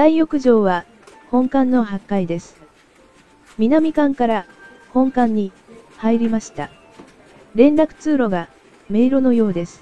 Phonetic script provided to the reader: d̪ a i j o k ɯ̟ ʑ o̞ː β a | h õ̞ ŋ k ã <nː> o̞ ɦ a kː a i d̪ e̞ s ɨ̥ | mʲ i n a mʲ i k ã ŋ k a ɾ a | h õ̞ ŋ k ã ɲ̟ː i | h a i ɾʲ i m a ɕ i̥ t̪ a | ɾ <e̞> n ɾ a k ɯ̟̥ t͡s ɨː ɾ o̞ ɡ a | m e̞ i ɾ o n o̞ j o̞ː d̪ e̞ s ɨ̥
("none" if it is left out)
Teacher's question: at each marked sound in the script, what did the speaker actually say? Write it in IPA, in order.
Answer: nː, ẽ̞

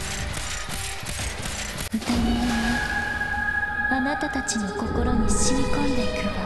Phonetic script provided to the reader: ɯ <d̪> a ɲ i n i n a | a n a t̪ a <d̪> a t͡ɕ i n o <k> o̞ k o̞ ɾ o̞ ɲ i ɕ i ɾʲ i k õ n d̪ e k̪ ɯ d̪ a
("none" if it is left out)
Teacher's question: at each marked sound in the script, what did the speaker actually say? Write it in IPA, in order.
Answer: t̪, t̪, k

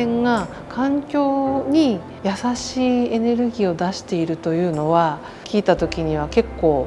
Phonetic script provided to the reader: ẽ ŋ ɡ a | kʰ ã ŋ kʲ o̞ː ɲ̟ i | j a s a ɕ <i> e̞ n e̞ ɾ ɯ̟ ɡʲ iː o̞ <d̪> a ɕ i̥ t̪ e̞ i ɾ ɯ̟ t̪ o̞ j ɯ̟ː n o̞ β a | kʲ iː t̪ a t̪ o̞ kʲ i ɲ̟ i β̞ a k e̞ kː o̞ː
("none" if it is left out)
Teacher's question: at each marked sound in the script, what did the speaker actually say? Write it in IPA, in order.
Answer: iː, d̪

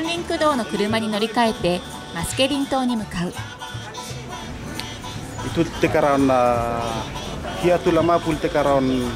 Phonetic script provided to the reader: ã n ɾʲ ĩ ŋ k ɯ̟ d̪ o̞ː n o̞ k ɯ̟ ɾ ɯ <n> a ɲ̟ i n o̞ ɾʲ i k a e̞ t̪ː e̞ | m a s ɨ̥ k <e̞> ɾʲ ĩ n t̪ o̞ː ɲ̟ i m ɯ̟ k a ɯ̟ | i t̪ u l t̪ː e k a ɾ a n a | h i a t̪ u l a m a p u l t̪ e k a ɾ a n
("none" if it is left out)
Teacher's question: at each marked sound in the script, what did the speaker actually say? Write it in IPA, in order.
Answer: m, e̞

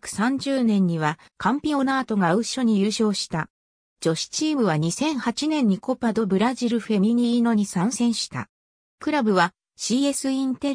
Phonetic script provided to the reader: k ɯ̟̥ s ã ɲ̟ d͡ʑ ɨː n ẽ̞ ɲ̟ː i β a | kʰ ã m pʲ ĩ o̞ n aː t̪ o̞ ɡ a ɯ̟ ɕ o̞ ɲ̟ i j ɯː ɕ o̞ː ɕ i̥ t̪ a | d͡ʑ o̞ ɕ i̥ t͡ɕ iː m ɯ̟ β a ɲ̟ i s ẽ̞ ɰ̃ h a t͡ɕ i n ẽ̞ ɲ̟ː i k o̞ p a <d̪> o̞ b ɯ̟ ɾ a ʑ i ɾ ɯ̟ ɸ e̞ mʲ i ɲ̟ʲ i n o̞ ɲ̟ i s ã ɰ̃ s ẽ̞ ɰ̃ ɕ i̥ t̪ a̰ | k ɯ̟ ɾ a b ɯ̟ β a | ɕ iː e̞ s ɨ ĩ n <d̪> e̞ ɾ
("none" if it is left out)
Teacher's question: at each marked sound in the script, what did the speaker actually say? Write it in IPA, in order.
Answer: d̪, t̪

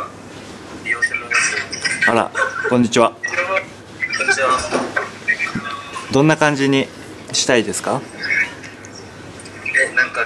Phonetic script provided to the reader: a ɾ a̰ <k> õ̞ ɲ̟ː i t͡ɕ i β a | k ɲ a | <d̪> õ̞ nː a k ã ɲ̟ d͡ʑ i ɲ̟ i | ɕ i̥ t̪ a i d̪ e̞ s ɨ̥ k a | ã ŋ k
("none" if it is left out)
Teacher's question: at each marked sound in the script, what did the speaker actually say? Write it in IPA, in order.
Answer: k, d̪

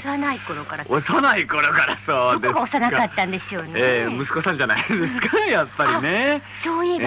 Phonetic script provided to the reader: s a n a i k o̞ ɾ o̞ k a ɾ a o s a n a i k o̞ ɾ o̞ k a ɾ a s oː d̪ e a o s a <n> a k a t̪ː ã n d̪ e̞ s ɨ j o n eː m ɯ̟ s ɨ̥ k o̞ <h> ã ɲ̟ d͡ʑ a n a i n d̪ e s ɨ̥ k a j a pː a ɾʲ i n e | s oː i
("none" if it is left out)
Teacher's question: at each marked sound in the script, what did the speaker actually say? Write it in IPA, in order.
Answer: n, s

